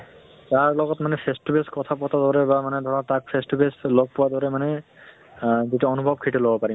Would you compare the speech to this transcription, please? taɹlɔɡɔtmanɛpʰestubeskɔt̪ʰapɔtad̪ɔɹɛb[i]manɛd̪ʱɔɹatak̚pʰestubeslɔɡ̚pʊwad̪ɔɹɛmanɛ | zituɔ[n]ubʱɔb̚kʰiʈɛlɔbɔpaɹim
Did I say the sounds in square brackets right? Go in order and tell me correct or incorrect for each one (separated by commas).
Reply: incorrect, correct